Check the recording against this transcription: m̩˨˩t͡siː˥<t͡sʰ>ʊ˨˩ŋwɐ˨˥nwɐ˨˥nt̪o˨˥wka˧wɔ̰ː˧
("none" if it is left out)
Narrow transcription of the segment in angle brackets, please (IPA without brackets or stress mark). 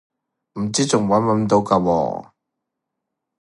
t͡s